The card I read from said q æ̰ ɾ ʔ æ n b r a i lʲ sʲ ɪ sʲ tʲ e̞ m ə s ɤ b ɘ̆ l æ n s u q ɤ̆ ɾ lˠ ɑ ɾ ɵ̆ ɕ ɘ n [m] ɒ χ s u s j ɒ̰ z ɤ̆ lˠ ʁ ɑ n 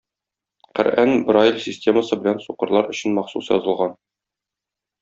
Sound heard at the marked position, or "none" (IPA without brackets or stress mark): m